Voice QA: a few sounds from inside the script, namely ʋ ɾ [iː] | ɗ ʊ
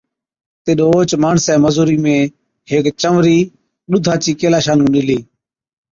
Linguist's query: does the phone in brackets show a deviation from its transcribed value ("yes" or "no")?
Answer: no